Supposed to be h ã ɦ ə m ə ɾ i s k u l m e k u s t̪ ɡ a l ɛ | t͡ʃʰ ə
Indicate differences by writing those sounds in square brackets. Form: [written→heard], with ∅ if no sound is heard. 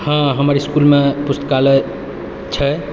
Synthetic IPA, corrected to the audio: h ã ɦ ə m ə ɾ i s k u l m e [k→p] u s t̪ [ɡ→k] a l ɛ | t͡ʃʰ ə